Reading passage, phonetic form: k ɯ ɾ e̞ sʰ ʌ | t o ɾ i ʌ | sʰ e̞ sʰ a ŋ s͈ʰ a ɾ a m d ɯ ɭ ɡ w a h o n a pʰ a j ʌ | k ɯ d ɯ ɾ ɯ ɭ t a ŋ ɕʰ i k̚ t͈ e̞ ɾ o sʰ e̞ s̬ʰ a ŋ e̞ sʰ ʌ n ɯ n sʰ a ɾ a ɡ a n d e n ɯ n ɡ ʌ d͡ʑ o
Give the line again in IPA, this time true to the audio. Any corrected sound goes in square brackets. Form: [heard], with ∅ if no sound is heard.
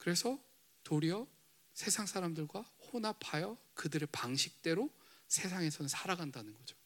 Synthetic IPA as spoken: k ɯ ɾ e̞ sʰ ʌ | t o ɾ i ʌ | sʰ e̞ sʰ a ŋ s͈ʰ a ɾ a m d ɯ ɭ ɡ w a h o n a pʰ a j ʌ | k ɯ d ɯ ɾ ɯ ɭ [p] a ŋ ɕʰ i k̚ t͈ e̞ ɾ o sʰ e̞ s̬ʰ a ŋ e̞ sʰ ʌ n ɯ n sʰ a ɾ a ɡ a n d [a] n ɯ n ɡ ʌ d͡ʑ o